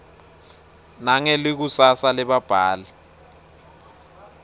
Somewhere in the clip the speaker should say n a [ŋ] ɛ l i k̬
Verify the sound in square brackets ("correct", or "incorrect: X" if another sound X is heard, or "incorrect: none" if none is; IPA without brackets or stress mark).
correct